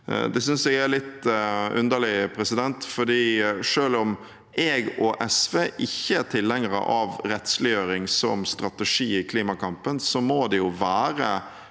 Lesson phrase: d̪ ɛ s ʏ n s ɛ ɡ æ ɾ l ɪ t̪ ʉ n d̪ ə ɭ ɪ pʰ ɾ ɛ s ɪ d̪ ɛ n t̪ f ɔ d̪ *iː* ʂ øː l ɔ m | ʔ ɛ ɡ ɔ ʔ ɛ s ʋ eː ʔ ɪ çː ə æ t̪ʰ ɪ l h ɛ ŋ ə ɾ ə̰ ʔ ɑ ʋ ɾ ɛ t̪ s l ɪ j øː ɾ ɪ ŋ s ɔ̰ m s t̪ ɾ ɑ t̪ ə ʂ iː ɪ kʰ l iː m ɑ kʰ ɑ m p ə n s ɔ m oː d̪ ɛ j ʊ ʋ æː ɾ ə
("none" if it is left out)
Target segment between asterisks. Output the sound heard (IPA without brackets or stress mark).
iː